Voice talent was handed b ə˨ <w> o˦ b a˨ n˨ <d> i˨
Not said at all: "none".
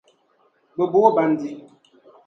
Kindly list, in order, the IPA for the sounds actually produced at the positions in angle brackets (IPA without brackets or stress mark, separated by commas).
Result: b, d